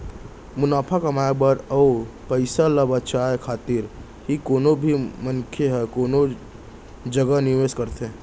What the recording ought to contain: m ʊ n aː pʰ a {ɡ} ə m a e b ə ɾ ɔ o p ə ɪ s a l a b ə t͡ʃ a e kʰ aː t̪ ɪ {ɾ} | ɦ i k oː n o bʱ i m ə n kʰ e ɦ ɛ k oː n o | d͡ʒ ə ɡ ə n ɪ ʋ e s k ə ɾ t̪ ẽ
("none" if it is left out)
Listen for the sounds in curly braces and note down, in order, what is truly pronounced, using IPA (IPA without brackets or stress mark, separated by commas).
k, ɾ